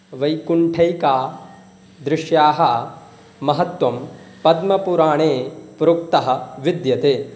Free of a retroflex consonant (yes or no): no